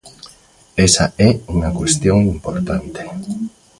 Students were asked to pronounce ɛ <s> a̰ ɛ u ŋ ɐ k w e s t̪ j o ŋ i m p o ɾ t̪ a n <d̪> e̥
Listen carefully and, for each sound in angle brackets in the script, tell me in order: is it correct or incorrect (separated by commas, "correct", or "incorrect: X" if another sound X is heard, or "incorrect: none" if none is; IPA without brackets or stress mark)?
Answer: correct, incorrect: t̪